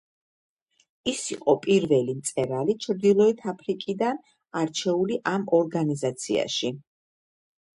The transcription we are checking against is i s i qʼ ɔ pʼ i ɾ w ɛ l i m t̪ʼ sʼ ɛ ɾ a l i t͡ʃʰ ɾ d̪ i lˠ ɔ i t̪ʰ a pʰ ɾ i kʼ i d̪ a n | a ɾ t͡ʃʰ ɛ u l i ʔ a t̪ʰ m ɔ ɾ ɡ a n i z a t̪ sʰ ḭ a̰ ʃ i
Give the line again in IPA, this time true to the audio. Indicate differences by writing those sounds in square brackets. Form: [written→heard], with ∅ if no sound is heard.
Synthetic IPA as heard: i s i qʼ ɔ pʼ i ɾ [w→v] ɛ l i m [t̪ʼ→t̪] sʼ ɛ ɾ a l i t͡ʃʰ ɾ d̪ i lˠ ɔ i t̪ʰ a pʰ ɾ i kʼ i d̪ a n | a ɾ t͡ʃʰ ɛ u l i ʔ a [t̪ʰ→∅] m ɔ ɾ ɡ a n i z a t̪ sʰ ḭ a̰ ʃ i

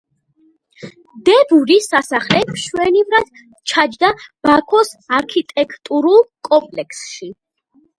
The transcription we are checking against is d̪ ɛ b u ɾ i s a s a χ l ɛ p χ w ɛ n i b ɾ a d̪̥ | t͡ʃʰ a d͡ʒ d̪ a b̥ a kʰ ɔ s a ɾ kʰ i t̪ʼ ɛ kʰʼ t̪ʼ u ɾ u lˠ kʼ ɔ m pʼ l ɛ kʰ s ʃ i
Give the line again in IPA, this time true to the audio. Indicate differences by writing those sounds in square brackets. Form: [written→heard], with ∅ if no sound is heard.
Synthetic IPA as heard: d̪ ɛ b u ɾ i s a s a χ l ɛ p [χ→ʃ] w ɛ n i [b→v] ɾ a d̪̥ | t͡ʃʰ a d͡ʒ d̪ a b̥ a kʰ ɔ s a ɾ kʰ i t̪ʼ ɛ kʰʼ t̪ʼ u ɾ u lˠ kʼ ɔ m pʼ l ɛ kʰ s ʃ i

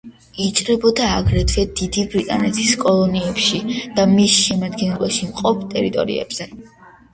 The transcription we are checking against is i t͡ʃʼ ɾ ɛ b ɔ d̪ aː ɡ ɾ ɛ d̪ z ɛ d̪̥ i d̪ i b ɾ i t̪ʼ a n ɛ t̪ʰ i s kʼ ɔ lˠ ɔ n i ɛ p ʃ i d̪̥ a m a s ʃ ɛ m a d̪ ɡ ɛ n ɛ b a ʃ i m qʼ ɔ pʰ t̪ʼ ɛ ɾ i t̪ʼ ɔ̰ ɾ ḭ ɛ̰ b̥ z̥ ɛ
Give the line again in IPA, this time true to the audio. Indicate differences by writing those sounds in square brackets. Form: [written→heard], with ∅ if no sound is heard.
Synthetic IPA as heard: i t͡ʃʼ ɾ ɛ b ɔ d̪ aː ɡ ɾ ɛ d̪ [z→v] ɛ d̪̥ i d̪ i b ɾ i t̪ʼ a n ɛ t̪ʰ i s kʼ ɔ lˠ ɔ n i ɛ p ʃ i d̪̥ a m [a→i] s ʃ ɛ m a d̪ ɡ ɛ n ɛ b a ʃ i m qʼ ɔ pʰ t̪ʼ ɛ ɾ i t̪ʼ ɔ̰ ɾ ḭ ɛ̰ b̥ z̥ ɛ

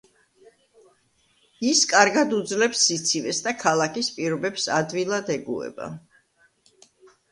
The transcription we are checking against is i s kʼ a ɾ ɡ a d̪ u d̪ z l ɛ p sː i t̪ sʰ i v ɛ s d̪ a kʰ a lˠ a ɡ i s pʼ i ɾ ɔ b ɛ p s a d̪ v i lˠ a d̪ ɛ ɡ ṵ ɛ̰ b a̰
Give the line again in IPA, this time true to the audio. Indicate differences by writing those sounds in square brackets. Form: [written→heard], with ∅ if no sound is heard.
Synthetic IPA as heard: i s kʼ a ɾ ɡ a d̪ u d̪ z l ɛ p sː i t̪ sʰ i v ɛ s d̪ a kʰ a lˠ a [ɡ→k] i s pʼ i ɾ ɔ b ɛ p s a d̪ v i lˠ a d̪ ɛ ɡ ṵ ɛ̰ b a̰

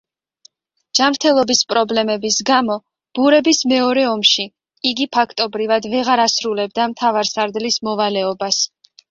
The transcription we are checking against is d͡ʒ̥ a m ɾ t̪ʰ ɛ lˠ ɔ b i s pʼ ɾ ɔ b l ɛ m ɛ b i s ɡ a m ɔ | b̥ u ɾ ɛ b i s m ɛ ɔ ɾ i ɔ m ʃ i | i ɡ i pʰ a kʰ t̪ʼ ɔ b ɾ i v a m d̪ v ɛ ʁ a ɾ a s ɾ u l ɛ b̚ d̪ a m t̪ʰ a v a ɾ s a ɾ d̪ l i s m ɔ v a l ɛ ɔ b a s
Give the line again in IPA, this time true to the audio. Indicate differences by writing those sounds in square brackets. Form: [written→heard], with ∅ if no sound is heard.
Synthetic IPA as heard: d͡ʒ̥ a m ɾ t̪ʰ ɛ lˠ ɔ b i s pʼ ɾ ɔ b l ɛ m ɛ b i s ɡ a m ɔ | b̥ u ɾ ɛ b i s m ɛ ɔ ɾ [i→ɛ] ɔ m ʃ i | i ɡ i pʰ a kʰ t̪ʼ ɔ b ɾ i v a [m→∅] d̪ v ɛ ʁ a ɾ a s ɾ u l ɛ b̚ d̪ a m t̪ʰ a v a ɾ s a ɾ d̪ l i s m ɔ v a l ɛ ɔ b a s

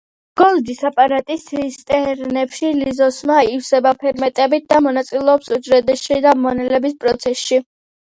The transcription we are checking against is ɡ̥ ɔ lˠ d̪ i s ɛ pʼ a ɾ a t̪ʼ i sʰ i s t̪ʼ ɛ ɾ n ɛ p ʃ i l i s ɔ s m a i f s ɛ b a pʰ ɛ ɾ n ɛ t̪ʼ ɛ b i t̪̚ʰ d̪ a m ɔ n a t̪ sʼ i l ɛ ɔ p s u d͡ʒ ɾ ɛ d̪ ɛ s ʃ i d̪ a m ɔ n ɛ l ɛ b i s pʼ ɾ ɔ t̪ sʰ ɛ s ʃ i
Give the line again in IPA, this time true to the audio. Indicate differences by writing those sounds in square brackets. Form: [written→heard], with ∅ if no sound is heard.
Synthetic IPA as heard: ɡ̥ ɔ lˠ d̪ i s [ɛ→a] pʼ a ɾ a t̪ʼ i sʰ i s t̪ʼ ɛ ɾ n ɛ p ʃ i l i [s→z] ɔ s m a i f s ɛ b a pʰ ɛ ɾ [n→m] ɛ t̪ʼ ɛ b i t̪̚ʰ d̪ a m ɔ n a t̪ sʼ i l ɛ ɔ p s u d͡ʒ ɾ ɛ d̪ ɛ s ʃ i d̪ a m ɔ n ɛ l ɛ b i s pʼ ɾ ɔ t̪ sʰ ɛ s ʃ i

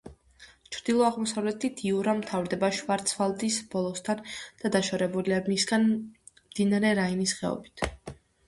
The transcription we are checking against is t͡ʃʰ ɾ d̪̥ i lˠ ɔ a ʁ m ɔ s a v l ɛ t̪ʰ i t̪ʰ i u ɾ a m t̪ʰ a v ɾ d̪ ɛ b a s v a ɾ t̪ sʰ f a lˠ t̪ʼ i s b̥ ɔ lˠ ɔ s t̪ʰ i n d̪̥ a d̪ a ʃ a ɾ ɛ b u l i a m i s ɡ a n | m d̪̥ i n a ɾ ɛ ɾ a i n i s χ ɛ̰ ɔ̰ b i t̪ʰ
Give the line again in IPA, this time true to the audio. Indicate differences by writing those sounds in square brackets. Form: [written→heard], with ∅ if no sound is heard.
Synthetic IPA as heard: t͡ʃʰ ɾ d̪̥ i lˠ ɔ a ʁ m ɔ s a v l ɛ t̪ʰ i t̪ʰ i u ɾ a m t̪ʰ a v ɾ d̪ ɛ b a [s→ʃ] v a ɾ t̪ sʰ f a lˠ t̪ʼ i s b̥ ɔ lˠ ɔ s t̪ʰ [i→a] n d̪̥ a d̪ a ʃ a ɾ ɛ b u l i a m i s ɡ a n | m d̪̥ i n a ɾ ɛ ɾ a i n i s χ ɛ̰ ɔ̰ b i t̪ʰ

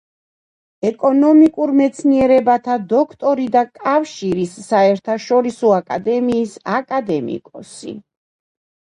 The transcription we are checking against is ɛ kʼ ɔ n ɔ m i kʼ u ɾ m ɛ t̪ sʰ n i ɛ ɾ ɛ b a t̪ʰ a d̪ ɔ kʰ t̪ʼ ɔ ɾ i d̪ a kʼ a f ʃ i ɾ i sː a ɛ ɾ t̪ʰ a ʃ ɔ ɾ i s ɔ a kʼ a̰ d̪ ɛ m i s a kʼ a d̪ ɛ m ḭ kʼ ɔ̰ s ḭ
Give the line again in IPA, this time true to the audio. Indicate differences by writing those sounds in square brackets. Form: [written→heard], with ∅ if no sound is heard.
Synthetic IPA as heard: ɛ kʼ ɔ n ɔ m i kʼ u ɾ m ɛ t̪ sʰ n i ɛ ɾ ɛ b a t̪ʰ a d̪ ɔ kʰ t̪ʼ ɔ ɾ i d̪ a kʼ a f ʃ i ɾ i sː a ɛ ɾ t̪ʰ a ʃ ɔ ɾ i s ɔ a kʼ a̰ d̪ ɛ m [i→iː] s a kʼ a d̪ ɛ m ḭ kʼ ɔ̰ s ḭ

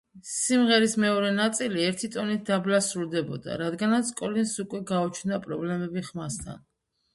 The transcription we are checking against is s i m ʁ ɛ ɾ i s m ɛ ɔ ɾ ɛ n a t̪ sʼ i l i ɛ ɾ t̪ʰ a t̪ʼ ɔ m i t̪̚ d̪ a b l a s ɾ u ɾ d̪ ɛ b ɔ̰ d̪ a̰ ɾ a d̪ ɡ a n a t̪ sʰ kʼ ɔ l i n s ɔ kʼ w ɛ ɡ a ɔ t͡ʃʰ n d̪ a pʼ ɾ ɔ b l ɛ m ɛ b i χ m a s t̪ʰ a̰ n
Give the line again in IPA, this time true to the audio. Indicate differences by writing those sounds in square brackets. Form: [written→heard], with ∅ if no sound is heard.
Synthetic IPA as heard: s i m ʁ ɛ ɾ i s m ɛ ɔ ɾ ɛ n a t̪ sʼ i l i ɛ ɾ t̪ʰ [a→i] t̪ʼ ɔ [m→n] i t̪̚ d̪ a b l a s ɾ u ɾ d̪ ɛ b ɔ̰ d̪ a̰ ɾ a d̪ ɡ a n a t̪ sʰ kʼ ɔ l i n s [ɔ→u] kʼ w ɛ ɡ a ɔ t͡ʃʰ n d̪ a pʼ ɾ ɔ b l ɛ m ɛ b i χ m a s t̪ʰ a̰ n

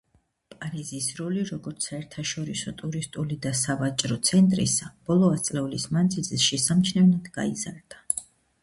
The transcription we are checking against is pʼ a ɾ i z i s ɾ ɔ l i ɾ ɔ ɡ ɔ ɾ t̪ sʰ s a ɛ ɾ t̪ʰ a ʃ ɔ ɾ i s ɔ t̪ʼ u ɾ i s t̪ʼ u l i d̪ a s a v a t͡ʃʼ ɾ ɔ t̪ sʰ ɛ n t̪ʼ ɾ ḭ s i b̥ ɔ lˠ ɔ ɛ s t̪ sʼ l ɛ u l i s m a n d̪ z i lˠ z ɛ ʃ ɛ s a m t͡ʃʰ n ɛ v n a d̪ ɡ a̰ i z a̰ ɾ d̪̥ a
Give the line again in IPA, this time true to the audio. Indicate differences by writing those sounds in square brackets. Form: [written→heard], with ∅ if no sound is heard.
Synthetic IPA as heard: pʼ a ɾ i z i s ɾ ɔ l i ɾ ɔ ɡ ɔ ɾ t̪ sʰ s a ɛ ɾ t̪ʰ a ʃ ɔ ɾ i s ɔ t̪ʼ u ɾ i s t̪ʼ u l i d̪ a s a v a t͡ʃʼ ɾ ɔ t̪ sʰ ɛ n t̪ʼ ɾ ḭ s [i→a] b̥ ɔ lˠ ɔ [ɛ→a] s t̪ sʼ l ɛ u l i s m a n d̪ z i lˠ z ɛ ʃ ɛ s a m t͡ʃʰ n ɛ v n a d̪ ɡ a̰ i z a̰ ɾ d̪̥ a

